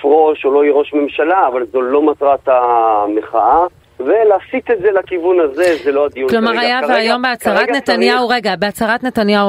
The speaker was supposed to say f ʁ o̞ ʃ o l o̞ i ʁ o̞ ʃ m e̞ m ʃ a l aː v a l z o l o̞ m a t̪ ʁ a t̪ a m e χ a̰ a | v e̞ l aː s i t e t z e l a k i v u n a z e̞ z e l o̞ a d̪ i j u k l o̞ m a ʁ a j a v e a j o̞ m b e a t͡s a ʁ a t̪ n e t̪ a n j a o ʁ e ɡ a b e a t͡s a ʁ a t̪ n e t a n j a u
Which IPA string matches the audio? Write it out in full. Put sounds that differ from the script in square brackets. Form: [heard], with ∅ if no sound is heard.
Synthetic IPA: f ʁ o̞ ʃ o l o̞ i ʁ o̞ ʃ m e̞ m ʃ a l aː v a l z o l o̞ m a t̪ ʁ a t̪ a m e χ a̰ a | v e̞ l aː s i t e t z e l a k i v u n a z e̞ z e l o̞ a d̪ i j u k l o̞ m a ʁ a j a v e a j o̞ m b e a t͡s a ʁ a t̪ n e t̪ a n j a [u] ʁ e ɡ a b e a t͡s a ʁ a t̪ n e t a n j a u